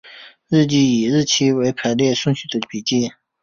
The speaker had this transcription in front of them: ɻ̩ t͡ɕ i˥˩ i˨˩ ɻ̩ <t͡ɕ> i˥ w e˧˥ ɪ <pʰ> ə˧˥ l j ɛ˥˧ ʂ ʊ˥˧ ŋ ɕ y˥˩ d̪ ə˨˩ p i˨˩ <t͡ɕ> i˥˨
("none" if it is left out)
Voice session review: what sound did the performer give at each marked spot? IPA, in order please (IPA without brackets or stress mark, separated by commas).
t͡ɕʰ, pʰ, t͡ɕ